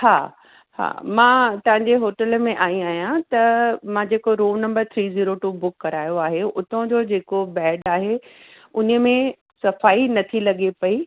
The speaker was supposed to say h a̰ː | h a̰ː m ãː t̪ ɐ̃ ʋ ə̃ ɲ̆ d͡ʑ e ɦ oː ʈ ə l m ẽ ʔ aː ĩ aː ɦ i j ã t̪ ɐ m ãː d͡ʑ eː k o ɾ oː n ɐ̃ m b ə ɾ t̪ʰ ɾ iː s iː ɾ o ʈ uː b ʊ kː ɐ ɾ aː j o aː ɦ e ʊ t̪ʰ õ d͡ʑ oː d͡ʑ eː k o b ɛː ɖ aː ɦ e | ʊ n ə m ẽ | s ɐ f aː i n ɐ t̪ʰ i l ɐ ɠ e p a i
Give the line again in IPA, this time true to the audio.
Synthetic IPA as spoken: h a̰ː | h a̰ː m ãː t̪ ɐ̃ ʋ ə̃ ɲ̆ d͡ʑ e ɦ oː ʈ ə l m ẽ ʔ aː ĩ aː ɦ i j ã t̪ ɐ m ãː d͡ʑ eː k o ɾ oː n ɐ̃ m b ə ɾ t̪ʰ ɾ iː z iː ɾ o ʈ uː b ʊ kː ɐ ɾ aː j o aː ɦ e ʊ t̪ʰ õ d͡ʑ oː d͡ʑ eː k o b ɛː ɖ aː ɦ e | ʊ n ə m ẽ | s ɐ f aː i n ɐ t̪ʰ i l ɐ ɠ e p ɐ i